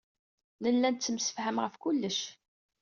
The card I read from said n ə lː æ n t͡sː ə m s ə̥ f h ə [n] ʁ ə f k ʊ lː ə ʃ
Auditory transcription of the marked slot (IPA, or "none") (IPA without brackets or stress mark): m